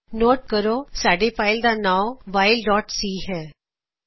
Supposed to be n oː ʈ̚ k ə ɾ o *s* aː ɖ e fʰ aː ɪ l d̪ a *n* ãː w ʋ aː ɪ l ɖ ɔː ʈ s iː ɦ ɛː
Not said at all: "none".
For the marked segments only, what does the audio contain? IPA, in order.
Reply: s, n

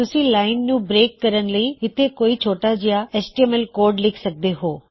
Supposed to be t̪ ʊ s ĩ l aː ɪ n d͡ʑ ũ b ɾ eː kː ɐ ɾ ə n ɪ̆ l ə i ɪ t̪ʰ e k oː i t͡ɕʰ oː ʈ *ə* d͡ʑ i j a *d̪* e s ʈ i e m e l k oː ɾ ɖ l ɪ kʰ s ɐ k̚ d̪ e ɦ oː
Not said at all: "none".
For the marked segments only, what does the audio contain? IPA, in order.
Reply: a, none

